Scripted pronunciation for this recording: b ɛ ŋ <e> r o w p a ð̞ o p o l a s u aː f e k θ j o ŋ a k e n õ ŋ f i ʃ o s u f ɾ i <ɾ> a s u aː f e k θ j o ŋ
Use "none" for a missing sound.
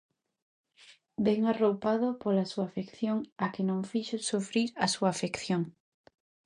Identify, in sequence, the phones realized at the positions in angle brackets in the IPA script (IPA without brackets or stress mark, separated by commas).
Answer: a, ɾ